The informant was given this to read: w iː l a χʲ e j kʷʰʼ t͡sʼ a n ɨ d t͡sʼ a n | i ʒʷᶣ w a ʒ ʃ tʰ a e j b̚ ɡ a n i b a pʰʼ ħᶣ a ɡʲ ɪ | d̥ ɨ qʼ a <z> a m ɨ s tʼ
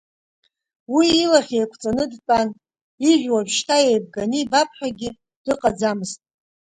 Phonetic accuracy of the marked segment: incorrect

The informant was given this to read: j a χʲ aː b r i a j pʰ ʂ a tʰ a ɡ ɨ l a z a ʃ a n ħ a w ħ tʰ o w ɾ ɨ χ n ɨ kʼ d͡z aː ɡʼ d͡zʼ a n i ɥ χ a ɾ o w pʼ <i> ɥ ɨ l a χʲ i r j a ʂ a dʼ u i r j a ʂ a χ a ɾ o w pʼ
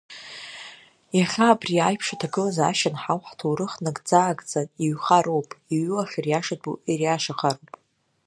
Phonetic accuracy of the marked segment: correct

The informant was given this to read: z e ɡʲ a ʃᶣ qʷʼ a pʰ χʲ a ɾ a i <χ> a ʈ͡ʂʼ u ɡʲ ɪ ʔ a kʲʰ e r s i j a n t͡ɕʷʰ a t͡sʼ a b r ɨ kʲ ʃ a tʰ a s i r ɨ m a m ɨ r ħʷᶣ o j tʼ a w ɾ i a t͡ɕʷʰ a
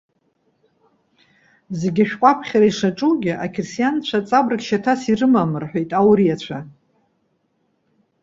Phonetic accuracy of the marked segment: incorrect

